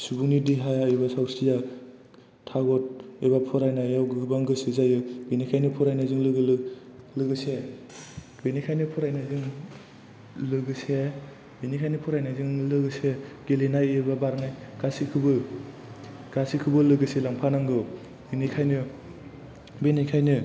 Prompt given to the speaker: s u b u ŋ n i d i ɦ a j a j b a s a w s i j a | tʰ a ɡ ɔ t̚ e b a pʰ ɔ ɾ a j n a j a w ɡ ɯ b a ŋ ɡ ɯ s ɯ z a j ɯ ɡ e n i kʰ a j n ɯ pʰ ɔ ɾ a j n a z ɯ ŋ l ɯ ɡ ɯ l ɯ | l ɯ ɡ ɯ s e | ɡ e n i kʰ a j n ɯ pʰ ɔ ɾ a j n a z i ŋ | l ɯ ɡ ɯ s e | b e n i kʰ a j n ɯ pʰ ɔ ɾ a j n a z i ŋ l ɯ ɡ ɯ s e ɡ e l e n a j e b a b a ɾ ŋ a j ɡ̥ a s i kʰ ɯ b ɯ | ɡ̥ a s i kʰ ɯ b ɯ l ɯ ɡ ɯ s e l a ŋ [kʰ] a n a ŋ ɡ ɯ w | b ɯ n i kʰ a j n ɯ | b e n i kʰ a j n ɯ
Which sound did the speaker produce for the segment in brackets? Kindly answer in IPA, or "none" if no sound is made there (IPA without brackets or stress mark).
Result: pʰ